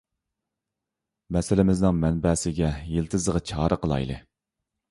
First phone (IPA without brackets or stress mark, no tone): m